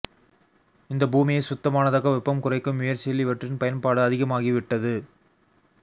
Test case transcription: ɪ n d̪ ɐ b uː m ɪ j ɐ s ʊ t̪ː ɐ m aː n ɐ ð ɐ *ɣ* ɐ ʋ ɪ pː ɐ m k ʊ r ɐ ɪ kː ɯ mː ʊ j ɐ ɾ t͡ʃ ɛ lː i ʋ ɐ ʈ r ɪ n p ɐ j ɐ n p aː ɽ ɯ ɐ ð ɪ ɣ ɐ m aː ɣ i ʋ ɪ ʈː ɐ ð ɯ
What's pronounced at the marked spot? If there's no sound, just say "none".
ɣ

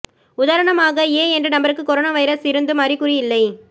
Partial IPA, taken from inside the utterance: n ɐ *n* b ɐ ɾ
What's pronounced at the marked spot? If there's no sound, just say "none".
m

